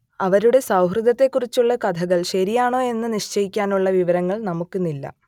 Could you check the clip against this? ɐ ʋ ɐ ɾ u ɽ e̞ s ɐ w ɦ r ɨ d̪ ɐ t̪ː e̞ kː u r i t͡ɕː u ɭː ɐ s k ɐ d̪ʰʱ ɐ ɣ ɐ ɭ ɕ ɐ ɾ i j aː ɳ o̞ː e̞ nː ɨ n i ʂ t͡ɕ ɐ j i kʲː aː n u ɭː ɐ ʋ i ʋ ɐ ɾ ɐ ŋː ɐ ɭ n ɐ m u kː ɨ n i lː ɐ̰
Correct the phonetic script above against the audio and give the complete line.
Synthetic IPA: ɐ ʋ ɐ ɾ u ɽ e̞ s ɐ w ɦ r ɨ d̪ ɐ t̪ː e̞ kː u r i t͡ɕː u ɭː ɐ k ɐ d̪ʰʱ ɐ ɣ ɐ ɭ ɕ ɐ ɾ i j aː ɳ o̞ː e̞ nː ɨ n i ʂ t͡ɕ ɐ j i kʲː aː n u ɭː ɐ ʋ i ʋ ɐ ɾ ɐ ŋː ɐ ɭ n ɐ m u kː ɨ n i lː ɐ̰